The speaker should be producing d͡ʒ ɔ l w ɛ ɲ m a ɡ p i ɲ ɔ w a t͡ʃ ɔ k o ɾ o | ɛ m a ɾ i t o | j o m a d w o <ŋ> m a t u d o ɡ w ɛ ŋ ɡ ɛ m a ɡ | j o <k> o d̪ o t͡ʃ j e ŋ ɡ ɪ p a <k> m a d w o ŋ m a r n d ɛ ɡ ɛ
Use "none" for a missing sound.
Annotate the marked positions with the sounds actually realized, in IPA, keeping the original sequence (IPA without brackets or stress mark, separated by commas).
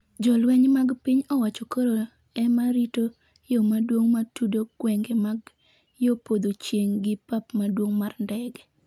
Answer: ŋ, p, p